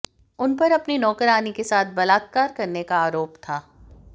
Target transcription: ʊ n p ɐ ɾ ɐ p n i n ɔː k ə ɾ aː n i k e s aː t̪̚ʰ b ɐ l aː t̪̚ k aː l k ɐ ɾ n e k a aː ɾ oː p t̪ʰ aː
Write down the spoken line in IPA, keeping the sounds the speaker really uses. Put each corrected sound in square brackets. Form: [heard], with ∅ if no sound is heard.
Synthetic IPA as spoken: ʊ n p ɐ ɾ ɐ p n i n ɔː k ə ɾ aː n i k e s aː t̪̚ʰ b ɐ l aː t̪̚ k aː [ɾ] k ɐ ɾ n e k a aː ɾ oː p t̪ʰ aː